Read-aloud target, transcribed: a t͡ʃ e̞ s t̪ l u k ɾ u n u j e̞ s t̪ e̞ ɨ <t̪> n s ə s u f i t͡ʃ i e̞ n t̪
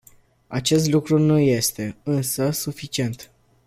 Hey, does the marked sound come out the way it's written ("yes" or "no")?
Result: no